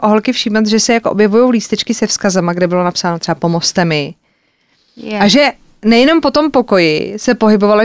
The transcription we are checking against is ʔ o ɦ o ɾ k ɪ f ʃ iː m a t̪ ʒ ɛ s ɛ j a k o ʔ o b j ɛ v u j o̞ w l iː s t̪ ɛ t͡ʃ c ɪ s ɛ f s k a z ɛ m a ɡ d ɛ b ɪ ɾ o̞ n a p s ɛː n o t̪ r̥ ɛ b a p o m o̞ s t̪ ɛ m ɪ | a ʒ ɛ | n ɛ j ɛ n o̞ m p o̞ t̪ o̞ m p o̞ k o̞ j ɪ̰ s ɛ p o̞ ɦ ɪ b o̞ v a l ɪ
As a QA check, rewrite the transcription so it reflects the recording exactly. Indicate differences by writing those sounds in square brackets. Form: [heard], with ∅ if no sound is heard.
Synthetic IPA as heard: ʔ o ɦ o [l] k ɪ f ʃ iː m a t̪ ʒ ɛ s ɛ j a k o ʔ o b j ɛ v u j o̞ w l iː s t̪ ɛ t͡ʃ [k] ɪ s ɛ f s k a z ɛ m a ɡ d ɛ b ɪ [l] o̞ n a p s [aː] n o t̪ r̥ ɛ b a p o m o̞ s t̪ ɛ m ɪ | a ʒ ɛ | n ɛ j ɛ n o̞ m p o̞ t̪ o̞ m p o̞ k o̞ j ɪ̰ s ɛ p o̞ ɦ ɪ b o̞ v a l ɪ